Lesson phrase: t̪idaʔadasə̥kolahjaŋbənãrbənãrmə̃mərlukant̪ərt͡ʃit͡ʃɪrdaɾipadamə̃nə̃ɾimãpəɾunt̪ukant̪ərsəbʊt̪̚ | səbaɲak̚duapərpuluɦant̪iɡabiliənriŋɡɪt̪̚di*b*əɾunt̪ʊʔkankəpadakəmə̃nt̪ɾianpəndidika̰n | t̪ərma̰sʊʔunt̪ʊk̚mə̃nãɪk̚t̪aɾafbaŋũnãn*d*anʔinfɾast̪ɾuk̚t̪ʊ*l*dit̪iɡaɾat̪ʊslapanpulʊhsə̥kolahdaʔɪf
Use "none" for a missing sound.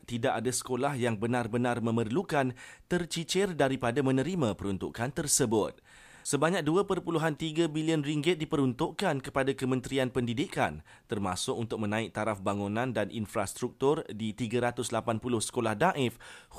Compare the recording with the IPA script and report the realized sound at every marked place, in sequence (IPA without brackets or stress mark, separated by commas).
p, d, r